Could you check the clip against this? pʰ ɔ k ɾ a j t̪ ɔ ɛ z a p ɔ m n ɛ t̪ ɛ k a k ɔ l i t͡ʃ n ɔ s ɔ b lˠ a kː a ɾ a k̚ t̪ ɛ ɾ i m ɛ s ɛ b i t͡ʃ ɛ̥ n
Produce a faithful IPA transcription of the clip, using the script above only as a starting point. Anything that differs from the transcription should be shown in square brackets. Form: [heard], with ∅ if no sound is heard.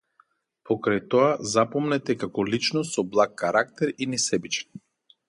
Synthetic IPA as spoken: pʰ ɔ k ɾ a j t̪ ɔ [a] z a p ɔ m n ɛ t̪ ɛ k a k ɔ l i t͡ʃ n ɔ s ɔ b lˠ a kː a ɾ a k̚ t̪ ɛ ɾ i [n] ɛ s ɛ b i t͡ʃ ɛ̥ n

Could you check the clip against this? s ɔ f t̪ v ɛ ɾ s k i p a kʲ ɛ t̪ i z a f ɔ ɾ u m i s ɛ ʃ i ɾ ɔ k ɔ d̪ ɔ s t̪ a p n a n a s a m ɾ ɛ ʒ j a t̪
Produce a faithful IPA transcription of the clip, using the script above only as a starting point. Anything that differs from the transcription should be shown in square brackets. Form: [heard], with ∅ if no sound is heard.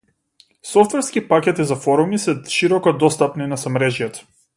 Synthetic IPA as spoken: s ɔ f t̪ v ɛ ɾ s k i p a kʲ ɛ t̪ i z a f ɔ ɾ u m i s ɛ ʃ i ɾ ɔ k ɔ d̪ ɔ s t̪ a p n [i] n a s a m ɾ ɛ ʒ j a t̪

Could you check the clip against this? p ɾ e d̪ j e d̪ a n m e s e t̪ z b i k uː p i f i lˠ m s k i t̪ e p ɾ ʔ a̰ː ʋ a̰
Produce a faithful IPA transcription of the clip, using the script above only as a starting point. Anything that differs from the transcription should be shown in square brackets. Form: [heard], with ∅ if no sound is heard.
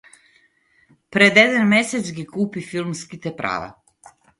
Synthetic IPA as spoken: p ɾ e d̪ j e d̪ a n m e s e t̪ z [ɡ] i k uː p i f i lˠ m s k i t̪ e p ɾ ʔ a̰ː ʋ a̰

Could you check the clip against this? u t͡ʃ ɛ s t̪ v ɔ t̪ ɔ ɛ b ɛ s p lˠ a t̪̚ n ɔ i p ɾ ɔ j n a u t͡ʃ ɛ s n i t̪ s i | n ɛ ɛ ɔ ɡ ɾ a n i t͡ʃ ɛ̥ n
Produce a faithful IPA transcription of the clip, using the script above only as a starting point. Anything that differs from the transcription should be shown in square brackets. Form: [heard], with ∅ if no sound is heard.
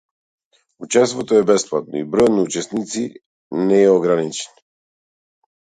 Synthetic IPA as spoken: u t͡ʃ ɛ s t̪ v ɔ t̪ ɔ ɛ b ɛ s p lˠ a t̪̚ n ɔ i [b] ɾ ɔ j n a u t͡ʃ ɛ s n i t̪ s i | n ɛ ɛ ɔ ɡ ɾ a n i t͡ʃ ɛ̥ n

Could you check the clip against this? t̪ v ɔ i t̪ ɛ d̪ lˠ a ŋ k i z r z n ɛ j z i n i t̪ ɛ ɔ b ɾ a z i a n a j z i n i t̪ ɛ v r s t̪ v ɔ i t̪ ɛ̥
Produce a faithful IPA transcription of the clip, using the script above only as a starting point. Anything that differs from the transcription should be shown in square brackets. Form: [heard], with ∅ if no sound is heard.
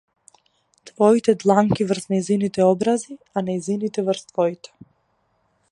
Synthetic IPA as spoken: t̪ v ɔ i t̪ ɛ d̪ lˠ a ŋ k i [v] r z n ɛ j z i n i t̪ ɛ ɔ b ɾ a z i a n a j z i n i t̪ ɛ v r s t̪ v ɔ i t̪ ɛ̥

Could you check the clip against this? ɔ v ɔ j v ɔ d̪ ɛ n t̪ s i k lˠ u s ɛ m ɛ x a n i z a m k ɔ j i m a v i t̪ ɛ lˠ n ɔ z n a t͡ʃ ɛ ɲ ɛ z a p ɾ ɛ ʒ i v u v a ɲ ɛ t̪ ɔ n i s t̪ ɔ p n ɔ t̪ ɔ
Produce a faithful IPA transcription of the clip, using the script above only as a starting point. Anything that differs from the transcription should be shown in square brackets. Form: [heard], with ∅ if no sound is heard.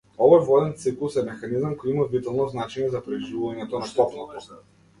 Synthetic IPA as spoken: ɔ v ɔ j v ɔ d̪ ɛ n t̪ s i k lˠ u s ɛ m ɛ x a n i z a m k ɔ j i m a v i t̪ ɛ lˠ n ɔ z n a t͡ʃ ɛ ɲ ɛ z a p ɾ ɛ ʒ i v u v a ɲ ɛ t̪ ɔ n [a] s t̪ ɔ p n ɔ t̪ ɔ

